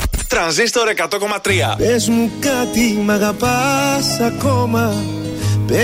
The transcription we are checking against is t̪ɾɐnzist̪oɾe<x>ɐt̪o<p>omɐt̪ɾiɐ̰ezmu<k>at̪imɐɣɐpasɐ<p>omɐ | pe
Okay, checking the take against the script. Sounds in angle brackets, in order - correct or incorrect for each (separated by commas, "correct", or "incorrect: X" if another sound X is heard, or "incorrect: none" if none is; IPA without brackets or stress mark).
incorrect: k, incorrect: k, correct, incorrect: k